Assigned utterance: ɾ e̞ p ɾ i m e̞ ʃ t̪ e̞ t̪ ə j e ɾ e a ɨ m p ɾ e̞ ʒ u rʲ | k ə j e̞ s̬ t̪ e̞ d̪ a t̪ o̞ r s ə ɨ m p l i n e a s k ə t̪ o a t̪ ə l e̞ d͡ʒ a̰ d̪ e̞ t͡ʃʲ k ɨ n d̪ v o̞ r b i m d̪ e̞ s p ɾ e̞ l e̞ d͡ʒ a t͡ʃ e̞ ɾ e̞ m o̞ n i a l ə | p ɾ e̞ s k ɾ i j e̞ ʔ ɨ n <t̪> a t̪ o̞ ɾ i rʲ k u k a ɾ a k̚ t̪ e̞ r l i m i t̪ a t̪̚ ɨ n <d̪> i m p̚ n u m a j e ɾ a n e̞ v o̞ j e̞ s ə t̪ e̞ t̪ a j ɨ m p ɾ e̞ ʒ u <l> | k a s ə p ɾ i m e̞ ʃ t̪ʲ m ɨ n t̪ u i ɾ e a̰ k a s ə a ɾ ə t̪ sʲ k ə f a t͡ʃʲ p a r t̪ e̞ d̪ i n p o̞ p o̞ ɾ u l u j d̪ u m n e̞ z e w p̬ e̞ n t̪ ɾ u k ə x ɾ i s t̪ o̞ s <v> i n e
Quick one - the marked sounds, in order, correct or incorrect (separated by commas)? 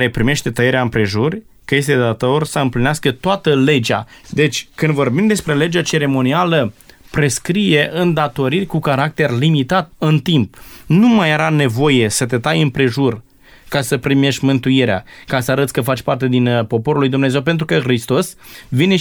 incorrect, incorrect, incorrect, correct